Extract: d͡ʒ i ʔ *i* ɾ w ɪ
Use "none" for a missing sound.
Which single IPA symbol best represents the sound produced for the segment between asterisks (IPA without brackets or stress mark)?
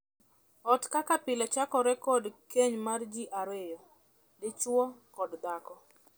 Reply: a